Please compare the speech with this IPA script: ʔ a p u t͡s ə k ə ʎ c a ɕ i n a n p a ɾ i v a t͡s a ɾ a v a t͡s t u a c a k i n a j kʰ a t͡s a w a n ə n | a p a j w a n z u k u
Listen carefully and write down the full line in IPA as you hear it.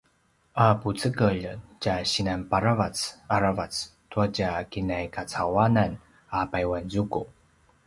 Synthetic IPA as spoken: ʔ a p u t͡s ə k ə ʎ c a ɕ i n a n p a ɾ a v a t͡s a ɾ a v a t͡s t u a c a k i n a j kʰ a t͡s a w a n a n | a p a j w a n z u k u